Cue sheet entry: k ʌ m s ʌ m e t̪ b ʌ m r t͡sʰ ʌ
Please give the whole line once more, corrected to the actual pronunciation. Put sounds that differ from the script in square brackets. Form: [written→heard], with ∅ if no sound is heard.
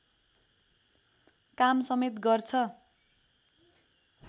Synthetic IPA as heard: k [ʌ→a] m s ʌ m e t̪ [b→ɡ] ʌ [m→∅] r t͡sʰ ʌ